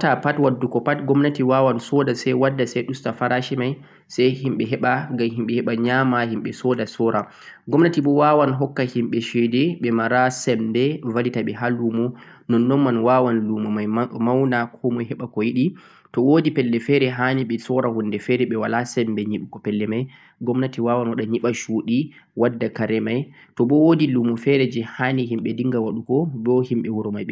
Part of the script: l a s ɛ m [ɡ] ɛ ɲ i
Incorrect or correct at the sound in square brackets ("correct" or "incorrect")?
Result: incorrect